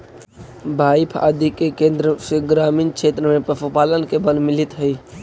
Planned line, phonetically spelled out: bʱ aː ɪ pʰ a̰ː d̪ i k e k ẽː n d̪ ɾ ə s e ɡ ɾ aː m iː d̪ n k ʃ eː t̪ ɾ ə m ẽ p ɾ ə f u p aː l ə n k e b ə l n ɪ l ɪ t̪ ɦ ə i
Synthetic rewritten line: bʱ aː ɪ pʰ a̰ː d̪ i k e k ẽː n d̪ ɾ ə s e ɡ ɾ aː m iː n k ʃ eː t̪ ɾ ə m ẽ p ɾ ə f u p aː l ə n k e b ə l m ɪ l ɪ t̪ ɦ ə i

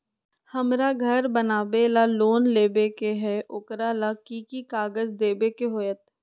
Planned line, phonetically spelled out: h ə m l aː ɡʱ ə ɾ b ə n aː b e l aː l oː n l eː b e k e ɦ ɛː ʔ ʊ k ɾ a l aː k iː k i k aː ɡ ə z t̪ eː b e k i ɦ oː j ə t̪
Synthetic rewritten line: h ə m ɾ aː ɡʱ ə ɾ b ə n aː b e l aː l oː n l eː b e k e ɦ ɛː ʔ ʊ k ɾ a l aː k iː k i k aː ɡ ə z d̪ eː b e k e ɦ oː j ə t̪

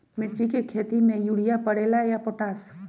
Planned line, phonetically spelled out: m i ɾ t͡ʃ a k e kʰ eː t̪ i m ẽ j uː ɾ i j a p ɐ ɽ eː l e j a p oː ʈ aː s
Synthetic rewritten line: m ɪ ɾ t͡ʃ i k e kʰ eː t̪ i m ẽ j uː ɽ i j a p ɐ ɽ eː l a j a p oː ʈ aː s

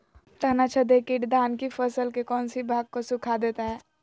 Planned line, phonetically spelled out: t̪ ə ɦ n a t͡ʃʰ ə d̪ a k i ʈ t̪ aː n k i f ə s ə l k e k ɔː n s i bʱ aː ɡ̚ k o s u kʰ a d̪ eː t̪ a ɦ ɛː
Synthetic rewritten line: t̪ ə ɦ n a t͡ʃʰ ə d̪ e k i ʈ d̪ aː n k i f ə s ə l k e k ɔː n s i bʱ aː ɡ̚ k o s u kʰ a d̪ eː t̪ a ɦ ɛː

